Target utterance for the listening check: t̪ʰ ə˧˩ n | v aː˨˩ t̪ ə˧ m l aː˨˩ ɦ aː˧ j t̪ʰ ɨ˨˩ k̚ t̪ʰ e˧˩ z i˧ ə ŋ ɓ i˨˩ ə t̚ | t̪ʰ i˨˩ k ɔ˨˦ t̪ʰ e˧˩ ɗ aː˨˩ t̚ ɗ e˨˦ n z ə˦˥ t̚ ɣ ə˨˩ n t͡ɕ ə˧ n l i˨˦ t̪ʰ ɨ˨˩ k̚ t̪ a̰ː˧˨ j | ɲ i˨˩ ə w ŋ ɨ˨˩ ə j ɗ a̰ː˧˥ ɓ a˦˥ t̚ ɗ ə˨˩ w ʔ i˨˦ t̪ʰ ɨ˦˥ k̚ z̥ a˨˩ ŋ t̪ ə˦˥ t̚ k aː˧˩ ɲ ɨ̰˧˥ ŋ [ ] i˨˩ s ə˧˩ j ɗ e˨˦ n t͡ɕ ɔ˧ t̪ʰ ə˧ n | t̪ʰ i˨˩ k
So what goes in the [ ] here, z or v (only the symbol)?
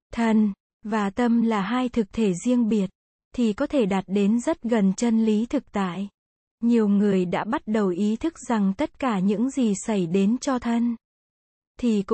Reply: z